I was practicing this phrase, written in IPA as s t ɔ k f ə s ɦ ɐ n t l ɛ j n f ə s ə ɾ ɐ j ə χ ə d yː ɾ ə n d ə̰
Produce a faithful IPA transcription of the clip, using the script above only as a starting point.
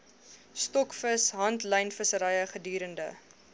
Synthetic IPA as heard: s t ɔ k f ə s ɦ ɐ n t l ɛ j n f ə s ə ɾ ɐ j ə χ ə d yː ɾ ə n d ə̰